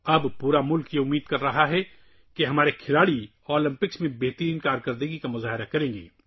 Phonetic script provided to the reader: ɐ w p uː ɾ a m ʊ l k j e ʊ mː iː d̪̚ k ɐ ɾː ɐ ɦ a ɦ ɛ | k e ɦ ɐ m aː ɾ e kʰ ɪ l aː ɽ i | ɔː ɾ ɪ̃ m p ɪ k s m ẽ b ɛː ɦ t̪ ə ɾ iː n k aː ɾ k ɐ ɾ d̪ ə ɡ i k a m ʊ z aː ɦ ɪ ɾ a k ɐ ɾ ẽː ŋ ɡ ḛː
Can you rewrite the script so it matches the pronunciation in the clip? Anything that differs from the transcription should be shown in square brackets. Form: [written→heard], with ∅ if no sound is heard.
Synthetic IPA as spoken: ɐ [w→b] p uː ɾ a m ʊ l k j e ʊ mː iː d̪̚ k ɐ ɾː ɐ ɦ a ɦ ɛ | k e ɦ ɐ m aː ɾ e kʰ ɪ l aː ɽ i | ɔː [ɾ→l] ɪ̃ m p ɪ k s m ẽ b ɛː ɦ t̪ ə ɾ iː n k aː ɾ k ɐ ɾ d̪ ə ɡ i k a m ʊ z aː ɦ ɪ ɾ a k ɐ ɾ ẽː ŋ ɡ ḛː